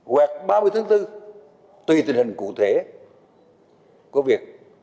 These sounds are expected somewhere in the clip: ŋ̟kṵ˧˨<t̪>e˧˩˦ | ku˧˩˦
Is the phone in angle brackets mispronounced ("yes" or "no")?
yes